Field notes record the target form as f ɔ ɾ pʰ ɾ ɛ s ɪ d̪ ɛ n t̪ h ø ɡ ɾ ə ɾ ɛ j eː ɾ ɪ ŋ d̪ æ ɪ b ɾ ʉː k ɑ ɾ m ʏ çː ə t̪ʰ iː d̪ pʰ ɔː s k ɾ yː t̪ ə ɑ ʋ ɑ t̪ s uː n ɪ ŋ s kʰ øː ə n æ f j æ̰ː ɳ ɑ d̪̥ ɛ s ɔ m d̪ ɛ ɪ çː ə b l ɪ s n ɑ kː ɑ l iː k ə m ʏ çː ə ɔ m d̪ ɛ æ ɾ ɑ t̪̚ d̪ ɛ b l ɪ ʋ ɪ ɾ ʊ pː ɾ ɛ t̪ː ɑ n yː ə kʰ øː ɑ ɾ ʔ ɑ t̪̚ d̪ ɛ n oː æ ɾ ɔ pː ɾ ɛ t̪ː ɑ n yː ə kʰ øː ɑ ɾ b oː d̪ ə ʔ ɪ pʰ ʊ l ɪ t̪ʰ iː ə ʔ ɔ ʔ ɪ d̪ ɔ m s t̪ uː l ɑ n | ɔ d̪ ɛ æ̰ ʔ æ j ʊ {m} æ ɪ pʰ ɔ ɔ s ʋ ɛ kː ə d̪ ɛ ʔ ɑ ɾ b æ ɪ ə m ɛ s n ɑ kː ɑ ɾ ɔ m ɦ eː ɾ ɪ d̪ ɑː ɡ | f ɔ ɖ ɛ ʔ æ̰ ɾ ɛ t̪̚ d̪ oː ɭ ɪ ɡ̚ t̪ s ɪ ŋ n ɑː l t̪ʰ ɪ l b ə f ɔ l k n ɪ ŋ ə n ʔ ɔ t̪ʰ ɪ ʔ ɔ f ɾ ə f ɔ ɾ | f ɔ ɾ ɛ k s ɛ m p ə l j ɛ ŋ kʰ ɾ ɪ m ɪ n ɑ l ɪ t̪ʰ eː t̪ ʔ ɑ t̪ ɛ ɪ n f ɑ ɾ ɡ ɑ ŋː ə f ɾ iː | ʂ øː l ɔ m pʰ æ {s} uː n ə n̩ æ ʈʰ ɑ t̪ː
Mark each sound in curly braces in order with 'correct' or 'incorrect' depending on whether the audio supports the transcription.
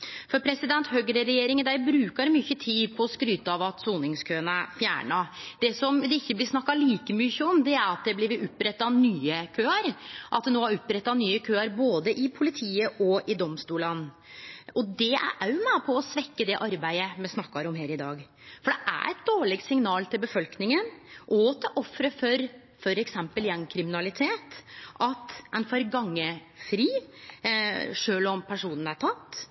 correct, incorrect

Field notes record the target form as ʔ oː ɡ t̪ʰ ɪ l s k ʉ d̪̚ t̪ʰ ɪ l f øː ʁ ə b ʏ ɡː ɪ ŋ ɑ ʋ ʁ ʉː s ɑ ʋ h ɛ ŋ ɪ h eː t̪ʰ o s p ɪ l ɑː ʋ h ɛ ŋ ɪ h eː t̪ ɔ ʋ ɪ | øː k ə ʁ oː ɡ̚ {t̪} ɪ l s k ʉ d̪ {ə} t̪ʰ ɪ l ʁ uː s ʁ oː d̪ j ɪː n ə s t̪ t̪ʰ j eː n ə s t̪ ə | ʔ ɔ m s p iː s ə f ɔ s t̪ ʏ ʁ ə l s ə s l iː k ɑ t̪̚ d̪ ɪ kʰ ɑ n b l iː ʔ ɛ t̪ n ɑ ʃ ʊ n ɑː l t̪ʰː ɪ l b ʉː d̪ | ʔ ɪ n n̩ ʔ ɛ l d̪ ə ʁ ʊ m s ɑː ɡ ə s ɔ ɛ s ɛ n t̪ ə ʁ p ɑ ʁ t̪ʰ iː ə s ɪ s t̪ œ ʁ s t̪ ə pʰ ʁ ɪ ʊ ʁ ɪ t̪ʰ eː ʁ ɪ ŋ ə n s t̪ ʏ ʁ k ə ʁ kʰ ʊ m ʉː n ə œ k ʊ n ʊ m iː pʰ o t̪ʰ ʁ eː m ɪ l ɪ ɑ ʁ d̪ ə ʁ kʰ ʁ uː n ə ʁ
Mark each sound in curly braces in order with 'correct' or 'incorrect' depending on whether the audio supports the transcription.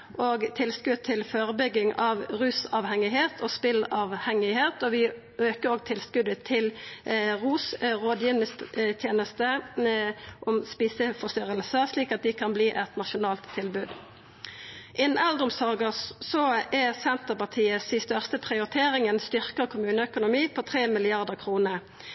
incorrect, correct

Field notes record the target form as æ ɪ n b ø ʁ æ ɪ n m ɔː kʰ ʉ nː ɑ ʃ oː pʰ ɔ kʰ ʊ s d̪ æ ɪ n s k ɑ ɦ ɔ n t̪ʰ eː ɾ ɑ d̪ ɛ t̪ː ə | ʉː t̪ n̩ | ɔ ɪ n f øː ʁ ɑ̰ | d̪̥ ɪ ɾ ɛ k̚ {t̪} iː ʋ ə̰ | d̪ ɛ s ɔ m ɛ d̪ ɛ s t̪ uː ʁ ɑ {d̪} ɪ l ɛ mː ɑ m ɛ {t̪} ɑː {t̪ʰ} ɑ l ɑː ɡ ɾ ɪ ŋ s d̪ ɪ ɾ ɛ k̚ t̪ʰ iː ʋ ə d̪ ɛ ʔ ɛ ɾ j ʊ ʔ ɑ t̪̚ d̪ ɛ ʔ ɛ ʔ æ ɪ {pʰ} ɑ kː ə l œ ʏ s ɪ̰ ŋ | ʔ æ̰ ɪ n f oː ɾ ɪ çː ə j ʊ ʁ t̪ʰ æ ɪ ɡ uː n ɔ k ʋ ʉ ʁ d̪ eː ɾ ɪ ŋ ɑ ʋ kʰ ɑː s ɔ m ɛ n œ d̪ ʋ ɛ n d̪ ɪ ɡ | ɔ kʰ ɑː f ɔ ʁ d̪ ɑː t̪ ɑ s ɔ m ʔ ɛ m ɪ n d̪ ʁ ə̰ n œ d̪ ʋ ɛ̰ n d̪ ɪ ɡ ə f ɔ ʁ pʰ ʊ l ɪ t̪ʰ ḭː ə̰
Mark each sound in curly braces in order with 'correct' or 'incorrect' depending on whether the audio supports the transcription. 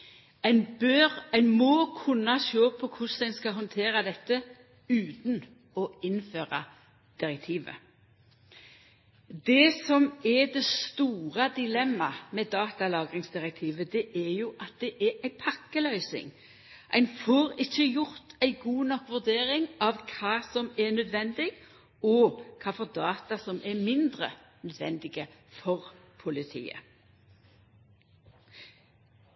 incorrect, correct, incorrect, incorrect, correct

